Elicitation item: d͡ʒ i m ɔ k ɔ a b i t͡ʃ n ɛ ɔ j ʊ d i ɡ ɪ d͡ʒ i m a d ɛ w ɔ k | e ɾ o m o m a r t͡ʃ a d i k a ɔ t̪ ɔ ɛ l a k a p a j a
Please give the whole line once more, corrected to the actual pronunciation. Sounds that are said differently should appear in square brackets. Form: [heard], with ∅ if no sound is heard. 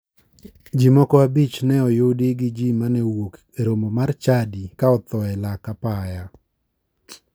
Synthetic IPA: d͡ʒ i m ɔ k ɔ a b i t͡ʃ n ɛ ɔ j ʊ d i ɡ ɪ d͡ʒ i m a [n] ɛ w [o] k | e ɾ o m o m a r t͡ʃ a d i k a ɔ t̪ ɔ ɛ l a k a p a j a